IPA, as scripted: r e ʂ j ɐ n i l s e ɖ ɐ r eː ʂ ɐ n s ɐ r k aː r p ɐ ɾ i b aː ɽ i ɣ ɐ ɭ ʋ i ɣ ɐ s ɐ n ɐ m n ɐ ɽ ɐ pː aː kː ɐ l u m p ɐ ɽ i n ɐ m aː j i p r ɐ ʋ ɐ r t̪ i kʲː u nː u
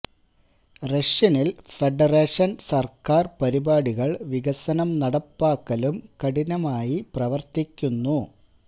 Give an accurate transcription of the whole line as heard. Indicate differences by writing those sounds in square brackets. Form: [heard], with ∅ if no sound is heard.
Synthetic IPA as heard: r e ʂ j ɐ n i l [f] e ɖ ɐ r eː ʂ ɐ n s ɐ r k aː r p ɐ ɾ i b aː ɽ i ɣ ɐ ɭ ʋ i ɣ ɐ s ɐ n ɐ m n ɐ ɽ ɐ pː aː kː ɐ l u m [k] ɐ ɽ i n ɐ m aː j i p r ɐ ʋ ɐ r t̪ i kʲː u nː u